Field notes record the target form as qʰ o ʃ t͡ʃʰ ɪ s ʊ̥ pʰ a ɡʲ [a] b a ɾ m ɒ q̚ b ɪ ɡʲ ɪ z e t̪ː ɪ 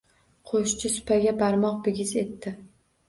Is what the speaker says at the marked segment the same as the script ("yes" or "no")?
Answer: yes